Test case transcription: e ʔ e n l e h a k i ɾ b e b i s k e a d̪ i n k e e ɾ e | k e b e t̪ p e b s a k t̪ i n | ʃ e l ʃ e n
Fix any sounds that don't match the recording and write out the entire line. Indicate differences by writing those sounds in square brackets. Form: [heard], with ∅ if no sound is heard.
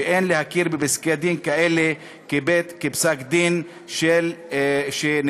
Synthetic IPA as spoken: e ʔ e n l e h a k i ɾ b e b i s k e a d̪ i n k [a] e [l] e | k e b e t̪ [k] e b s a k [d̪] i n | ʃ e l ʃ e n